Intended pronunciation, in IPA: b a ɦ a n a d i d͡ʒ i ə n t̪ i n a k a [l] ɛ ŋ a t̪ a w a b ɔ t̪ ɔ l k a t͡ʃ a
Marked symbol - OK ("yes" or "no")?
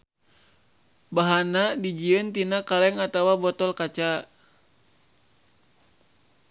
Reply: yes